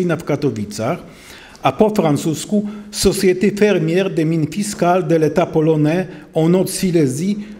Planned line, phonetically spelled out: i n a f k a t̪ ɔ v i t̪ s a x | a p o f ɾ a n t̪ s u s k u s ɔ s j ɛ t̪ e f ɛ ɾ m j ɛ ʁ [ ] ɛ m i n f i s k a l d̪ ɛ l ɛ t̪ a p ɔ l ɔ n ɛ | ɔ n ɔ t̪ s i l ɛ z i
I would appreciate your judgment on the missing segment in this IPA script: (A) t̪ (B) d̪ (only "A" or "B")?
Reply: B